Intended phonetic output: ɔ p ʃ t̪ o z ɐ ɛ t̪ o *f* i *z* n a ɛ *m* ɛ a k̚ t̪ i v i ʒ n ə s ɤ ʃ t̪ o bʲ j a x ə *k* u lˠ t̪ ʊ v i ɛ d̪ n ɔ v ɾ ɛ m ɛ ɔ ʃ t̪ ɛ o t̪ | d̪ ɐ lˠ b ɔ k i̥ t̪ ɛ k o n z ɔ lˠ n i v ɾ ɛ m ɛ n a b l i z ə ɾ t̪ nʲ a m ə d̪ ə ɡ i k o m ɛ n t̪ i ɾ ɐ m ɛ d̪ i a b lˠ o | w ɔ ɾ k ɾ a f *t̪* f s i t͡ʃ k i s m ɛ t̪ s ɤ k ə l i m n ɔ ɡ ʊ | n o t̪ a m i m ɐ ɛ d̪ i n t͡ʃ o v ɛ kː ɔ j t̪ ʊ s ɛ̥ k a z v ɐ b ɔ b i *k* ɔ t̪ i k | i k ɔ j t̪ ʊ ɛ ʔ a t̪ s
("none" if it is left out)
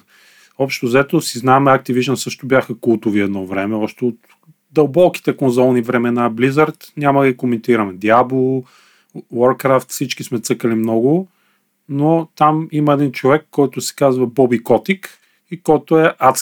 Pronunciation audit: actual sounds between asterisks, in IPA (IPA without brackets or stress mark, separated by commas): s, z, m, k, t̪, k